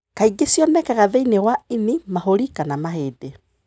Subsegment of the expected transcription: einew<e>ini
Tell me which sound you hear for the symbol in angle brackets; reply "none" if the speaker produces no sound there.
a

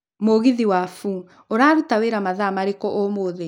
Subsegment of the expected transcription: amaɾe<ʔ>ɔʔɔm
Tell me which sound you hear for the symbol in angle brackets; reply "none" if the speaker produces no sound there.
k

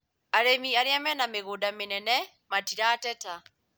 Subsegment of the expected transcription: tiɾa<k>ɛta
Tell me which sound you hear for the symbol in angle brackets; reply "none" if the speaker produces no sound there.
t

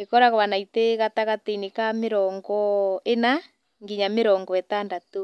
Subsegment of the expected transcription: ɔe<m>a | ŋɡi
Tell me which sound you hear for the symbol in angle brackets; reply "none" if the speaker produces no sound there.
n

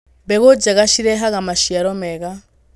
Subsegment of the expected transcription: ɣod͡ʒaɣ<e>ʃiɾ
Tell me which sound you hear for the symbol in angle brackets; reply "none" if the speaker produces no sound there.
a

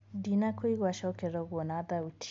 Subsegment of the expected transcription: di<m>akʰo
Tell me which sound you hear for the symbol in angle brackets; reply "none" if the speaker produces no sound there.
n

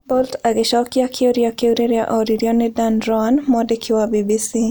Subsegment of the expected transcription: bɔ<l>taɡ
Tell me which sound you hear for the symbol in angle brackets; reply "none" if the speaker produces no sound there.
l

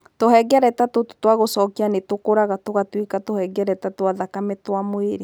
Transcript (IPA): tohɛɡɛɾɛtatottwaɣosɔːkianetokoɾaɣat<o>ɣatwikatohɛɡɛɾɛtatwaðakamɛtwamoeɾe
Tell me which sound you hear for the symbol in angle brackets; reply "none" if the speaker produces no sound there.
o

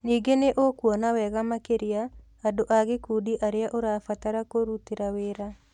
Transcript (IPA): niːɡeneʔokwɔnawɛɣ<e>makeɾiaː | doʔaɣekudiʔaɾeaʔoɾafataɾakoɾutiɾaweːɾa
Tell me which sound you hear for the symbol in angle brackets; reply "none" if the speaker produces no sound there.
a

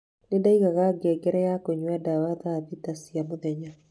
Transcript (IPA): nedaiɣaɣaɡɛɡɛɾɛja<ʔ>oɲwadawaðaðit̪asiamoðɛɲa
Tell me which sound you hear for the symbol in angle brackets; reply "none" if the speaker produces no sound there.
k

